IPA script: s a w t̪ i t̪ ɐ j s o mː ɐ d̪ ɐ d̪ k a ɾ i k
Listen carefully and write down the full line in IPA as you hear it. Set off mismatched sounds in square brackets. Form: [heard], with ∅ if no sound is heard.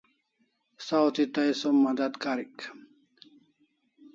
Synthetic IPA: s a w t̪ i t̪ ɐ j s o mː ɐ d̪ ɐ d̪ k a ɾ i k